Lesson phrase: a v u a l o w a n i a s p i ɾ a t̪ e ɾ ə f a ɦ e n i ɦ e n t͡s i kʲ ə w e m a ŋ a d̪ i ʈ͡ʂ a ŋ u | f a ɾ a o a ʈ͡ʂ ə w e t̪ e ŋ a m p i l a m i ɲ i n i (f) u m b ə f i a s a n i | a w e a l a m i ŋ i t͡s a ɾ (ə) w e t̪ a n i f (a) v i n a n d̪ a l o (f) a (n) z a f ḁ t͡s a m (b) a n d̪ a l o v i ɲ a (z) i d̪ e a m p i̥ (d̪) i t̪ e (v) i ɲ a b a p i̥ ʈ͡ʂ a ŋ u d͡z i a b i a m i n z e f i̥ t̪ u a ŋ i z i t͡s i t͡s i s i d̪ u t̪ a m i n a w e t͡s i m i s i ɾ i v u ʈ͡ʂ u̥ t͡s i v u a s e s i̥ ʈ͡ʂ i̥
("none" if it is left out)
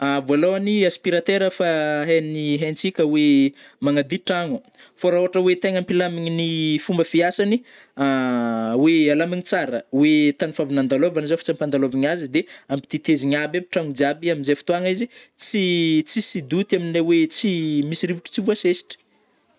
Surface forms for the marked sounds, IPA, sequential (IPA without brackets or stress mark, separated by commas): f, ə, a, v, n, p, z, t̪, z